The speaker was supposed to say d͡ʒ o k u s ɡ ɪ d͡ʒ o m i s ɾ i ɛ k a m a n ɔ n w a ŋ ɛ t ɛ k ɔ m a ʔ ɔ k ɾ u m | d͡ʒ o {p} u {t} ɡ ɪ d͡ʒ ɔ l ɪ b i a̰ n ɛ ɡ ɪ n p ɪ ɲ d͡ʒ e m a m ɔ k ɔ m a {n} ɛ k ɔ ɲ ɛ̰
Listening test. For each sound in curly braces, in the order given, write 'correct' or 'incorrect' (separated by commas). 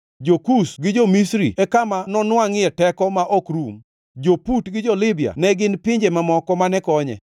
correct, correct, correct